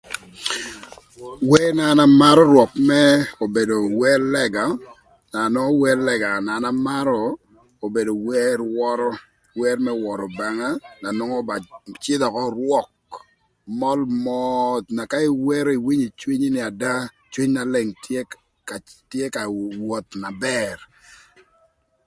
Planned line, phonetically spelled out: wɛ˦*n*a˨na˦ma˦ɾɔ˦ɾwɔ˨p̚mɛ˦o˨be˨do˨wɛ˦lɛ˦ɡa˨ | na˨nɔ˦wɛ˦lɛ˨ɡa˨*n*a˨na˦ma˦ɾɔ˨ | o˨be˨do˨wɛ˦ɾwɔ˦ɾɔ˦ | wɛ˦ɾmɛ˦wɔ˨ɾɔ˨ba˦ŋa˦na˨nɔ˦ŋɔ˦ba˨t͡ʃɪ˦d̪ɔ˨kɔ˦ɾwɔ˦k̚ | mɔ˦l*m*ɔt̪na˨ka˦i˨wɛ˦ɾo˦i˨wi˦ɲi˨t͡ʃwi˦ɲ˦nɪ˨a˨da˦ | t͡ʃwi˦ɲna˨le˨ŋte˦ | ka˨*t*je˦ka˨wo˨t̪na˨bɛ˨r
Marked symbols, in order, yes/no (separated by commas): yes, yes, yes, yes